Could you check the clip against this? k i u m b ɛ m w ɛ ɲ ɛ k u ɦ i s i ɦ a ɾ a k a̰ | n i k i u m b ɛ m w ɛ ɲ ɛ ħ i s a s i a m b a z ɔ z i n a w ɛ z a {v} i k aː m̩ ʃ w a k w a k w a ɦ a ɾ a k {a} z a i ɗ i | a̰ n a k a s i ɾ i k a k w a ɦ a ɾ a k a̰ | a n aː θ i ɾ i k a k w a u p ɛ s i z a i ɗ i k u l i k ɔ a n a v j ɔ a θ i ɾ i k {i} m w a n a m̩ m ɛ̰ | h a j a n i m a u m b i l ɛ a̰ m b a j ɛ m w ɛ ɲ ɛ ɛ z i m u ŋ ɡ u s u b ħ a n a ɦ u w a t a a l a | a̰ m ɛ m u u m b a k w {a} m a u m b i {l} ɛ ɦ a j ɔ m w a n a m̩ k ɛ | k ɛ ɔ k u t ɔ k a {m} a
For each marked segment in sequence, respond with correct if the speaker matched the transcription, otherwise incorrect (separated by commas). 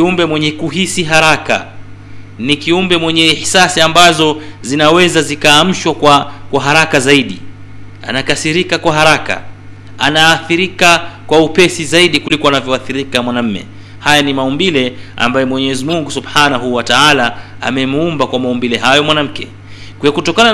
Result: incorrect, correct, incorrect, correct, correct, incorrect